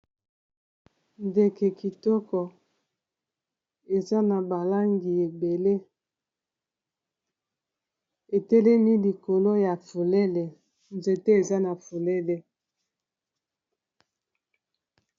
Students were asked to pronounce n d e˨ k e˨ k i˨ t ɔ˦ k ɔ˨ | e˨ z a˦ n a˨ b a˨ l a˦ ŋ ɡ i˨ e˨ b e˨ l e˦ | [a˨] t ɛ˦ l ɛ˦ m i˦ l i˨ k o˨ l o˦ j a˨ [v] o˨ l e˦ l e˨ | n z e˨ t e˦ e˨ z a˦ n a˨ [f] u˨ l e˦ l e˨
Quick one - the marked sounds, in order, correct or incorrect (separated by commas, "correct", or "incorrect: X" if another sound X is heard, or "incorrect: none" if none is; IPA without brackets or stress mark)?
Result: incorrect: e˨, incorrect: f, correct